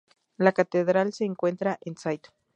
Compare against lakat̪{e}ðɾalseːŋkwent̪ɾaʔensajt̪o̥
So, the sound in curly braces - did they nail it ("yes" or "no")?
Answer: yes